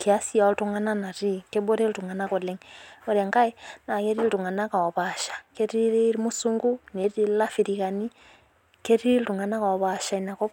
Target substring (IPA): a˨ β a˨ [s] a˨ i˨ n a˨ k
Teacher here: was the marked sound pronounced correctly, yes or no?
no